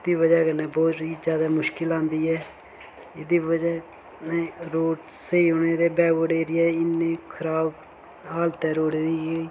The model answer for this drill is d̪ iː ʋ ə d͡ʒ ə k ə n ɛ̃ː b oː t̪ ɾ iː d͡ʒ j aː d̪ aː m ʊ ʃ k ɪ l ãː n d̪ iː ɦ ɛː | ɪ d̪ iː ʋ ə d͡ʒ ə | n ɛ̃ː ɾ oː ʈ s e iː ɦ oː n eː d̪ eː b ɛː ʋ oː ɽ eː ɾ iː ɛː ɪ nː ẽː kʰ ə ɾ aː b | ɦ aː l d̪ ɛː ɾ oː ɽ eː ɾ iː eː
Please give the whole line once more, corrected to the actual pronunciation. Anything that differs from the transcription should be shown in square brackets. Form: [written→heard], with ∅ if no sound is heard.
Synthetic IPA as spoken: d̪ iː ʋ ə d͡ʒ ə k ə n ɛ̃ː b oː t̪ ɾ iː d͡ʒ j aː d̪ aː m ʊ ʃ k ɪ l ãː n d̪ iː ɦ ɛː | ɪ d̪ iː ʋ ə d͡ʒ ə | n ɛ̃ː ɾ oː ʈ s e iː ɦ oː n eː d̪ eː b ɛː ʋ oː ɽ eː ɾ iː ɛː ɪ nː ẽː kʰ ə ɾ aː b | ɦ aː l [d̪→t̪] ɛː ɾ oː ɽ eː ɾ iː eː